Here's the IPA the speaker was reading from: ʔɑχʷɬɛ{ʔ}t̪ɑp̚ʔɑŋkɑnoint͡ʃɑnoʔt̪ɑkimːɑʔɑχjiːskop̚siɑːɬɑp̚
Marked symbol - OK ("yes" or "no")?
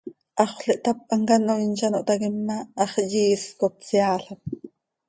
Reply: yes